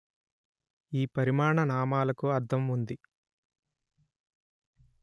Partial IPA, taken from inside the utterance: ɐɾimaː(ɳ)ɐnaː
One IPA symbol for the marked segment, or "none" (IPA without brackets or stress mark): ɳ